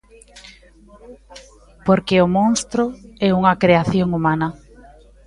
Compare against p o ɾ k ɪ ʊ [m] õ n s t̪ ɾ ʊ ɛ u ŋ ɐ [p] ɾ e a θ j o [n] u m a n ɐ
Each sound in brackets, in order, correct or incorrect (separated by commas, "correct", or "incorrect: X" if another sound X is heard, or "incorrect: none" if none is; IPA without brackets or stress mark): correct, incorrect: k, incorrect: ŋ